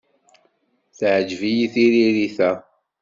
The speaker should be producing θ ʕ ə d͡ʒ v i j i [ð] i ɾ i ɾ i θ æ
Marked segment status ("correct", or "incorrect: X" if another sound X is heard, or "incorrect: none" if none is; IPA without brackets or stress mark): incorrect: θ